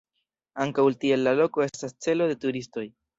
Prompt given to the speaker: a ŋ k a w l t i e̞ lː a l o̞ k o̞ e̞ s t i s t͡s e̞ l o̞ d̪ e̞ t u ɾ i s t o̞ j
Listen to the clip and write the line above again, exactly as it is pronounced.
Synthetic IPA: a ŋ k a w l t i e̞ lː a l o̞ k o̞ e̞ s t a s t͡s e̞ l o̞ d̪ e̞ t u ɾ i s t o̞ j